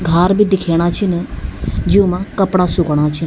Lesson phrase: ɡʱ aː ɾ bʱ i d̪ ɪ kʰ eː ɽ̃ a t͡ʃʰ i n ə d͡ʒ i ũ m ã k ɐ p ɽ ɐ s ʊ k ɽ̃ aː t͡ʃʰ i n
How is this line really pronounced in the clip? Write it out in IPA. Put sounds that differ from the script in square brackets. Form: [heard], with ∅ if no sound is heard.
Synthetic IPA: ɡʱ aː ɾ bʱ i d̪ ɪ kʰ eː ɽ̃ a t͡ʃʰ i n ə d͡ʒ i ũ m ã k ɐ p ɽ [a] s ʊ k ɽ̃ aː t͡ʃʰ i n